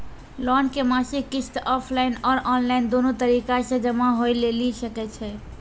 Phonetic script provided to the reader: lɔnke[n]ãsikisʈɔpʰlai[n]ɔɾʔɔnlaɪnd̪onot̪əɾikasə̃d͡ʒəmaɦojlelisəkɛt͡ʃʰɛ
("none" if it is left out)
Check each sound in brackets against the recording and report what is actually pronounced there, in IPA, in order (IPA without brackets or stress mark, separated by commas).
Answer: m, n